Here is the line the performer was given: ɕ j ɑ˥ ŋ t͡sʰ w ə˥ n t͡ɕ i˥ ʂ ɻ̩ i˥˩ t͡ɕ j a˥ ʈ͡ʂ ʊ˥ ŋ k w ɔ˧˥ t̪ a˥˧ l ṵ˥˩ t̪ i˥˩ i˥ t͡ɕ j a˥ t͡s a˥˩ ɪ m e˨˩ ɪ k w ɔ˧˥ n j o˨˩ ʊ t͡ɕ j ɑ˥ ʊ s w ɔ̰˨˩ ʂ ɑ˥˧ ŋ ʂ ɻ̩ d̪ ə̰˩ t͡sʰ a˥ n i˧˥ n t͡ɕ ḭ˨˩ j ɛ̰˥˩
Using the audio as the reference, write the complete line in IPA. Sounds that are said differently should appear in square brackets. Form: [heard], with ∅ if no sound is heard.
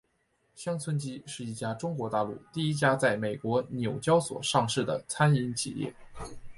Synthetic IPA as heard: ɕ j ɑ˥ ŋ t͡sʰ w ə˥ n t͡ɕ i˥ ʂ ɻ̩ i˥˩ t͡ɕ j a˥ ʈ͡ʂ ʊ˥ ŋ k w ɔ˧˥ t̪ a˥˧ l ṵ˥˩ t̪ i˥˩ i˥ t͡ɕ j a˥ t͡s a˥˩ ɪ m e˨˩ ɪ k w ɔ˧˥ n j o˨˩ ʊ t͡ɕ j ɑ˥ ʊ s w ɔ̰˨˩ ʂ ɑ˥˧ ŋ ʂ ɻ̩ d̪ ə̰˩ t͡sʰ a˥ n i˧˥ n [t͡ɕʰ] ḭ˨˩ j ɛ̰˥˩